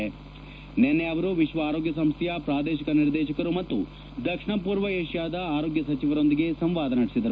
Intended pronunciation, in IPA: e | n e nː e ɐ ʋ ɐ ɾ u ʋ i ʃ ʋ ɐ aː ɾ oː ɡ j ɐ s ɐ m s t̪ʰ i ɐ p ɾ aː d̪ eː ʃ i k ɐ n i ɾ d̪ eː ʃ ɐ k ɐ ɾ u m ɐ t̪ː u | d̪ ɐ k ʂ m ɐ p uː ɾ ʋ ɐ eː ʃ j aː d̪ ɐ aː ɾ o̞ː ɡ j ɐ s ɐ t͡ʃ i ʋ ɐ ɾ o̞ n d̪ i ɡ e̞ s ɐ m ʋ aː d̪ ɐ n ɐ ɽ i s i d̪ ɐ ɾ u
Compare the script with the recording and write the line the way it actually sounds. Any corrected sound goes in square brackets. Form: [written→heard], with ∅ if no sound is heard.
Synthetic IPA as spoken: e | n e nː e ɐ ʋ ɐ ɾ u ʋ i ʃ ʋ ɐ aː ɾ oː ɡ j ɐ s ɐ m s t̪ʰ [i→j] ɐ p ɾ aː d̪ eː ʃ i k ɐ n i ɾ d̪ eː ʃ ɐ k ɐ ɾ u m ɐ t̪ː u | d̪ ɐ k ʂ [m→ɳ] ɐ p uː ɾ ʋ ɐ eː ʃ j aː d̪ ɐ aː ɾ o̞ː ɡ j ɐ s ɐ t͡ʃ i ʋ ɐ ɾ o̞ n d̪ i ɡ e̞ s ɐ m ʋ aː d̪ ɐ n ɐ ɽ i s i d̪ ɐ ɾ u